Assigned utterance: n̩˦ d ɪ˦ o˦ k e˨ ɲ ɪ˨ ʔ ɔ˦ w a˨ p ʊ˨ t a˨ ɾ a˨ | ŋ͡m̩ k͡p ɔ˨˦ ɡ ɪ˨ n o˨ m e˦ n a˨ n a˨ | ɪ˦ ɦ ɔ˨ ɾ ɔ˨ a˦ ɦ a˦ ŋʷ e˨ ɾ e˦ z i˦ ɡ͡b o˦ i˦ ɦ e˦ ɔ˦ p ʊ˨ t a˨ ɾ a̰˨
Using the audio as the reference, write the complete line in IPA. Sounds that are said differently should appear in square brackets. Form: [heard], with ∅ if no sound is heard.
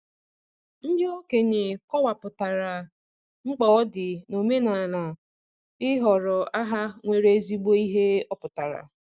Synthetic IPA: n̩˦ d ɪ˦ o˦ k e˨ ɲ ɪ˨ [k] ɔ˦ w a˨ p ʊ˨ t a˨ ɾ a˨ | ŋ͡m̩ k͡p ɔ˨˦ [d] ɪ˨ n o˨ m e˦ n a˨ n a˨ | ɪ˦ ɦ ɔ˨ ɾ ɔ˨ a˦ ɦ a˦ ŋʷ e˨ ɾ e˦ z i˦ ɡ͡b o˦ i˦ ɦ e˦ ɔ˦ p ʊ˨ t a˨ ɾ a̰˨

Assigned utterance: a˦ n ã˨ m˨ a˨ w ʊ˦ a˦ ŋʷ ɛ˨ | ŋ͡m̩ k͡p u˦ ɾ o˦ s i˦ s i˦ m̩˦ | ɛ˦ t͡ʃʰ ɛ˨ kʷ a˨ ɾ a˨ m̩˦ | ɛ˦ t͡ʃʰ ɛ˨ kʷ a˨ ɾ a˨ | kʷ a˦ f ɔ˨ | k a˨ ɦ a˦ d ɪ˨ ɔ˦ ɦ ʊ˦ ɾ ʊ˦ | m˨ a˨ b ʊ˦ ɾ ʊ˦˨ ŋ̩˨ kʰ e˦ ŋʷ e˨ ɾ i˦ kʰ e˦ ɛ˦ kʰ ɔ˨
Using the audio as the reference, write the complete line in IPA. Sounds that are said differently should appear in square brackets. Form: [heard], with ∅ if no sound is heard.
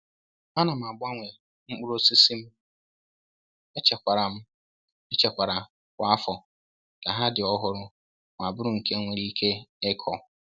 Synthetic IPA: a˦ n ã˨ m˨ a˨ [b] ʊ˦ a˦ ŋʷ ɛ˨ | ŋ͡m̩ k͡p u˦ ɾ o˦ s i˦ s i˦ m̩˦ | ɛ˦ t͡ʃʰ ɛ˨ kʷ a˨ ɾ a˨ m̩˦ | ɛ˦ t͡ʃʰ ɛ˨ kʷ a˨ ɾ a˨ | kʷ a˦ f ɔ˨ | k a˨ ɦ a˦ d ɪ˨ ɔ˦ ɦ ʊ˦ ɾ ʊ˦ | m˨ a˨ b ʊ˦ ɾ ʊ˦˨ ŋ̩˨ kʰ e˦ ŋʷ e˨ ɾ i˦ kʰ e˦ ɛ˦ kʰ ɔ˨

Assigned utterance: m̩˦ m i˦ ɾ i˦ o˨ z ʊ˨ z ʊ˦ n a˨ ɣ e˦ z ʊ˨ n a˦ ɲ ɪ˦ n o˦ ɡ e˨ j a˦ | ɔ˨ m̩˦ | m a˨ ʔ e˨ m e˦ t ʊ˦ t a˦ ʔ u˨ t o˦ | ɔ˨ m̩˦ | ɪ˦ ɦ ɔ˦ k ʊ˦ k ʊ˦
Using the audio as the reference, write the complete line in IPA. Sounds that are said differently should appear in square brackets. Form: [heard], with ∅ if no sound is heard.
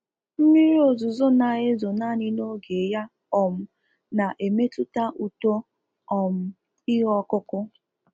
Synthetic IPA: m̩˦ m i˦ ɾ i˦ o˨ z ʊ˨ z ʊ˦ n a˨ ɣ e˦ z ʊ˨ n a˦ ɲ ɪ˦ n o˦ ɡ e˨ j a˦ | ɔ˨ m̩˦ | [n] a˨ ʔ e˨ m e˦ t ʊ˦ t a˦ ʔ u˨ t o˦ | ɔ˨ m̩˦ | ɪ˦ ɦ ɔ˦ k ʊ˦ k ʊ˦

